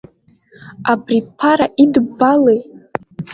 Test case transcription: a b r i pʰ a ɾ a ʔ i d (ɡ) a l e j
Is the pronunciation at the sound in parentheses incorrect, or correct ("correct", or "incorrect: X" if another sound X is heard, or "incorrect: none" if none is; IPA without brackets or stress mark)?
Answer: incorrect: b